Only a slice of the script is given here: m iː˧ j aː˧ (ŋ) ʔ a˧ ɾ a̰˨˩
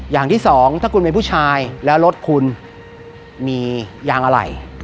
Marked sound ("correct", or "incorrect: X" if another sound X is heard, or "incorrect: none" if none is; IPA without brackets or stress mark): correct